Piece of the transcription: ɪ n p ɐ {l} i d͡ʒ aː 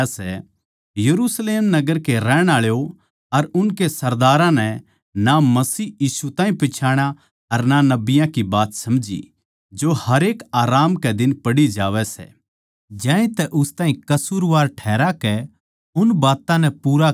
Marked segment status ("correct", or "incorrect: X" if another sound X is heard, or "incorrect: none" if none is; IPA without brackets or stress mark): incorrect: ɽ